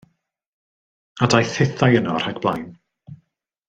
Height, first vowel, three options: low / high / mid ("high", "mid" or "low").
low